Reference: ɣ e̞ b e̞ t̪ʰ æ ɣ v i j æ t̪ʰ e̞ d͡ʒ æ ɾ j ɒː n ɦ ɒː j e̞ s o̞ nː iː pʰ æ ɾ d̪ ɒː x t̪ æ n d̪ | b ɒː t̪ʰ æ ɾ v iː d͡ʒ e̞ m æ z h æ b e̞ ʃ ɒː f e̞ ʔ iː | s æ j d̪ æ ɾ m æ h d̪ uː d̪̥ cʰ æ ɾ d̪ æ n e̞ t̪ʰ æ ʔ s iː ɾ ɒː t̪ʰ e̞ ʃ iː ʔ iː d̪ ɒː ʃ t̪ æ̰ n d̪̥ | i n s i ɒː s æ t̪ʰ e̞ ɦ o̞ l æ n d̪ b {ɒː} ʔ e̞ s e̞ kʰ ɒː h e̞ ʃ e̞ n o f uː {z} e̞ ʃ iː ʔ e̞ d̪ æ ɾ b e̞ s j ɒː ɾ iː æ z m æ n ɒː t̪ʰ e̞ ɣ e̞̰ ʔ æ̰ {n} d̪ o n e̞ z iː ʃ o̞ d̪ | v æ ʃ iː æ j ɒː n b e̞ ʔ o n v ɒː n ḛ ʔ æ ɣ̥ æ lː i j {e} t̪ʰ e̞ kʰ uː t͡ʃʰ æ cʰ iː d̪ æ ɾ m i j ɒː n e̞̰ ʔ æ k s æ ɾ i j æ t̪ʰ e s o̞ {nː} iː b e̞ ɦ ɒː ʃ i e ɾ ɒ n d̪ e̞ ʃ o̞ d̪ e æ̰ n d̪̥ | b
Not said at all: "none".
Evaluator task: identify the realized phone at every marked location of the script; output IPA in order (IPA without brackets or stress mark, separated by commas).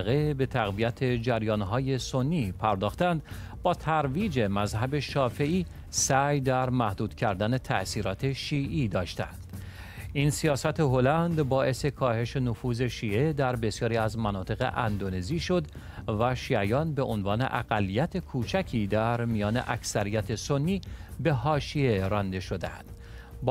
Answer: ɒː, z, n, æ, nː